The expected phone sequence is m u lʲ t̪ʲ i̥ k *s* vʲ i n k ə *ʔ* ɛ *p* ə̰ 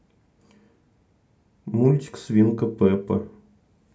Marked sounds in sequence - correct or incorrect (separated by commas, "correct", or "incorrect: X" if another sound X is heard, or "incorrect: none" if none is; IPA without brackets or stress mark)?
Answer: correct, incorrect: p, correct